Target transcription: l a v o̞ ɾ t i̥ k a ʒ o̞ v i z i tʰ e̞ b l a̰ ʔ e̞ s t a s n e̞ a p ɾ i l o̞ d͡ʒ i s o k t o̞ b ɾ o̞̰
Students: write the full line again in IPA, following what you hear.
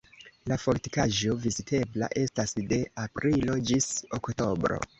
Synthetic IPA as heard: l a f o̞ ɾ t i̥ k a ʒ o̞ v i z i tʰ e̞ b l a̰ ʔ e̞ s t a s d e̞ a p ɾ i l o̞ d͡ʒ i s o k t o̞ b ɾ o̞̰

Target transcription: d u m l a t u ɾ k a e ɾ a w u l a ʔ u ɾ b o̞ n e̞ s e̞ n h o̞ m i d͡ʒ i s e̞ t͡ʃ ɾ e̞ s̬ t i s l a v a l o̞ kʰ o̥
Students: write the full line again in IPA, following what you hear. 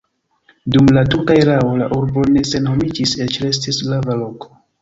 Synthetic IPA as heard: d u m l a t u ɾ k a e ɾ a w o l a ʔ u ɾ b o̞ n e̞ s e̞ n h o̞ m i d͡ʒ i s e̞ t͡ʃ ɾ e̞ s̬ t i s l a v a l o̞ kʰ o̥

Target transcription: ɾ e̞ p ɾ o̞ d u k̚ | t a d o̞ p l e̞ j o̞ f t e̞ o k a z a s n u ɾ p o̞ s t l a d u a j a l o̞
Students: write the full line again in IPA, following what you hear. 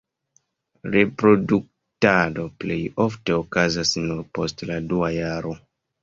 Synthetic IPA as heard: ɾ e̞ p ɾ o̞ d u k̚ | t a d o̞ p l e̞ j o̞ f t e̞ o k a z a s n u ɾ p o̞ s t l a d u a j a ɾ o̞

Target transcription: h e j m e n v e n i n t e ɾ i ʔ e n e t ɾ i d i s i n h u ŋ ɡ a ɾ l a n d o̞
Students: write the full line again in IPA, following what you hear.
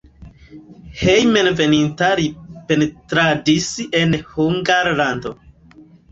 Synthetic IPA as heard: h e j m e n v e n i n t a ɾ i p e n e t ɾ a d i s e n h u ŋ ɡ a ɾ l a n d o̞

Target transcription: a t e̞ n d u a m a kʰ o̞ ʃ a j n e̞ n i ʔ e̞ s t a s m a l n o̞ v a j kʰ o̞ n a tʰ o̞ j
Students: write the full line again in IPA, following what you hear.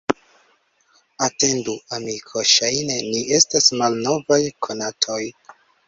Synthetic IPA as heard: a t e̞ n d u a m i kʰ o̞ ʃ a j n e̞ n i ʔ e̞ s t a s m a l n o̞ v a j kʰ o̞ n a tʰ o̞ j

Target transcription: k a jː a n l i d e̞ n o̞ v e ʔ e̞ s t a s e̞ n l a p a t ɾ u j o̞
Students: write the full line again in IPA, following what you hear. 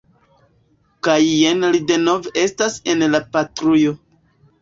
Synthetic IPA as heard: k a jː e n l i d e̞ n o̞ v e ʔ e̞ s t a s e̞ n l a p a t ɾ u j o̞

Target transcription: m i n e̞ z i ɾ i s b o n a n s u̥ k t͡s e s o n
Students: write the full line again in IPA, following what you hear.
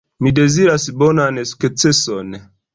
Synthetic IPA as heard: m i d e̞ z i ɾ a s b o n a n s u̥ k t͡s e s o n

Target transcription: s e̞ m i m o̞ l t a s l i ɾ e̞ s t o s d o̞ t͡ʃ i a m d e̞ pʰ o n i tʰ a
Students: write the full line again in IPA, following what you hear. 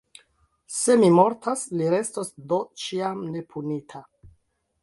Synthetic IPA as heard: s e̞ m i m o̞ ɾ t a s l i ɾ e̞ s t o s d o̞ t͡ʃ i a m n e̞ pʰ u n i tʰ a

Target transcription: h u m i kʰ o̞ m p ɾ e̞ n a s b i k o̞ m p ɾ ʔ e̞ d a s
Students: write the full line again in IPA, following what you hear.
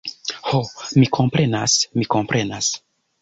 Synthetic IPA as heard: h o m i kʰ o̞ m p ɾ e̞ n a s m i k o̞ m p ɾ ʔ e̞ n a s

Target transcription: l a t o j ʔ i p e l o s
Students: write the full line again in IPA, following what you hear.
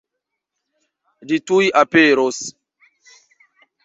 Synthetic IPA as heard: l i t u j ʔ a p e ɾ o s

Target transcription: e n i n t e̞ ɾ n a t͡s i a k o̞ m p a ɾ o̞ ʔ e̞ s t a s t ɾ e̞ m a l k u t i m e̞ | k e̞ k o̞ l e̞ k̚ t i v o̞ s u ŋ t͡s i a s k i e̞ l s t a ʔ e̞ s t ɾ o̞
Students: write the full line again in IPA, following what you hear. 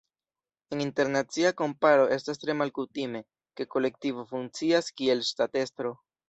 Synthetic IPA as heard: e n i n t e̞ ɾ n a t͡s i a k o̞ m p a ɾ o̞ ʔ e̞ s t a s t ɾ e̞ m a l k u t i m e̞ | k e̞ k o̞ l e̞ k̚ t i v o̞ f u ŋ t͡s i a s k i e̞ l s t a t e̞ s t ɾ o̞

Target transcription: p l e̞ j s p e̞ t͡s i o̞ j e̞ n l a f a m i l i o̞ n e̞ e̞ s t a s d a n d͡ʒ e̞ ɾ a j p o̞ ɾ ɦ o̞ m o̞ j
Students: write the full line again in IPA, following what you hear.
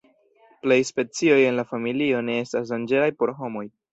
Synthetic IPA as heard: p l e̞ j s p e̞ t͡s i o̞ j e̞ n l a f a m i l i o̞ n e̞ e̞ s t a s d a n d͡ʒ e̞ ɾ a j p o̞ ɾ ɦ o̞ m o̞ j

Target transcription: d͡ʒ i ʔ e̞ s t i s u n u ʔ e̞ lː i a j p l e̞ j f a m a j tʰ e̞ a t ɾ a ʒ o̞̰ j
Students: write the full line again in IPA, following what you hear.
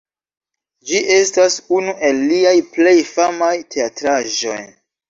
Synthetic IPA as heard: d͡ʒ i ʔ e̞ s t a s u n u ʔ e̞ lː i a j p l e̞ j f a m a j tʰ e̞ a t ɾ a ʒ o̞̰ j

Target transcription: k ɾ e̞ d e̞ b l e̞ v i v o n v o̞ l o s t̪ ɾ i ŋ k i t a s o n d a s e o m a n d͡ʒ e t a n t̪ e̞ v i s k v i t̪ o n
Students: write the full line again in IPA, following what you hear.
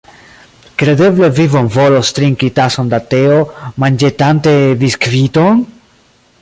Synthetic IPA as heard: k ɾ e̞ d e̞ b l e̞ v i v o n v o̞ l o s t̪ ɾ i ŋ k i t a s o n d a t e o m a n d͡ʒ e t a n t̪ e̞ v i s k v i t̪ o n

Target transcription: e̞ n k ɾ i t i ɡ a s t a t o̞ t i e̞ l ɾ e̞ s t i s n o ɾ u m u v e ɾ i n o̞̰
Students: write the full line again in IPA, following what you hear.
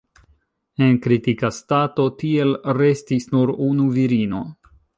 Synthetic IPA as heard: e̞ n k ɾ i t i k a s t a t o̞ t i e̞ l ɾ e̞ s t i s n u ɾ u n u v i ɾ i n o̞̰

